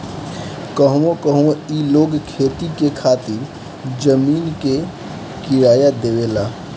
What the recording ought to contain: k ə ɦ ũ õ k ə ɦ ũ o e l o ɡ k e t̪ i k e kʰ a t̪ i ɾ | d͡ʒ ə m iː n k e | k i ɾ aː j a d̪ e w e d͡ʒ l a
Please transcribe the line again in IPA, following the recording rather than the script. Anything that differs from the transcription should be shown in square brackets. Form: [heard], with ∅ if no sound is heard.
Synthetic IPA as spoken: k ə ɦ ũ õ k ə ɦ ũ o [i] l o ɡ [kʰ] e t̪ i k e kʰ a t̪ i ɾ | d͡ʒ ə m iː n k e | k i ɾ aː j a d̪ e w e [∅] l a